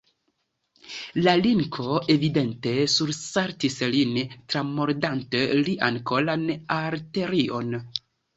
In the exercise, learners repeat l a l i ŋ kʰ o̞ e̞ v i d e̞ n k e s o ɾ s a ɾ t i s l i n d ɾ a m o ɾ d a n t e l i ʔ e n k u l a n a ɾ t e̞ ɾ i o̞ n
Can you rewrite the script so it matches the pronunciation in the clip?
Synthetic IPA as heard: l a l i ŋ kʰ o̞ e̞ v i d e̞ n t e s u ɾ s a ɾ t i s l i n t ɾ a m o ɾ d a n t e l i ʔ a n k o l a n a ɾ t e̞ ɾ i o̞ n